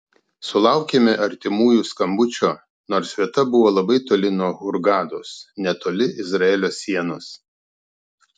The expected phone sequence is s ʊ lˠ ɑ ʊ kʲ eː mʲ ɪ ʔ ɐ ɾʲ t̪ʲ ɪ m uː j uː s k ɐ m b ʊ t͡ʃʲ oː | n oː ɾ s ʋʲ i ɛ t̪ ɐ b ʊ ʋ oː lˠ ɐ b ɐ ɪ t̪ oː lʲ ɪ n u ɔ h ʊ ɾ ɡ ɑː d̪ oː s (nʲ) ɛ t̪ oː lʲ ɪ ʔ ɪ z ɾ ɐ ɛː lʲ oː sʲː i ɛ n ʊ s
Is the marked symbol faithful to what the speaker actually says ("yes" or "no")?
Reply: yes